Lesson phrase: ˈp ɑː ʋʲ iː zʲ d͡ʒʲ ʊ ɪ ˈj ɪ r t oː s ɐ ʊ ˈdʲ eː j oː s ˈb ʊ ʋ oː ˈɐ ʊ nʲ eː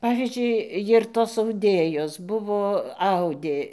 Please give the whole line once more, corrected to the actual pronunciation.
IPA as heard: ˈp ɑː ʋʲ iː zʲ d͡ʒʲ ʊ ɪ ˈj ɪ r t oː s ɐ ʊ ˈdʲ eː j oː s ˈb ʊ ʋ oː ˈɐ ʊ dʲ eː